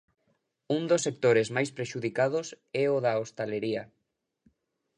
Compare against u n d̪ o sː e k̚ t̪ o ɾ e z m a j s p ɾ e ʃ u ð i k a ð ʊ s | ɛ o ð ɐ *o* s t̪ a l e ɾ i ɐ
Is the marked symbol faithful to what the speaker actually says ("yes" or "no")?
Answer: yes